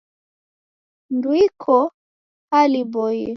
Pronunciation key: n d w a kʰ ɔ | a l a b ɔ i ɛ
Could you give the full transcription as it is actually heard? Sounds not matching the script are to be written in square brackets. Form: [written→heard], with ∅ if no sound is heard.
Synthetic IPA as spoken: n d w [a→i] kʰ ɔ | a l [a→i] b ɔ [i→j] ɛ